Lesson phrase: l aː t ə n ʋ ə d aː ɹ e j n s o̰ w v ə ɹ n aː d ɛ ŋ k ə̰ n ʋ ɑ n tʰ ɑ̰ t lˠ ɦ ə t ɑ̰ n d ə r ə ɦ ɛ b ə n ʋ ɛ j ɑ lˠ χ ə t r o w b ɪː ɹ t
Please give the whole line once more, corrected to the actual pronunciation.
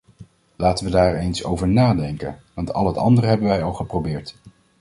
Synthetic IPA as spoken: l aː t ə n ʋ ə d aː ɹ e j n s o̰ w v ə ɹ n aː d ɛ ŋ k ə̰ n ʋ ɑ n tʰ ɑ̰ lˠ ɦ ə t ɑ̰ n d ə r ə ɦ ɛ b ə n ʋ ɛ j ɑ lˠ χ ə p r o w b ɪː ɹ t